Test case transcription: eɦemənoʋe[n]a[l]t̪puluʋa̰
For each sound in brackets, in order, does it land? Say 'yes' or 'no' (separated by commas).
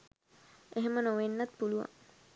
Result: no, no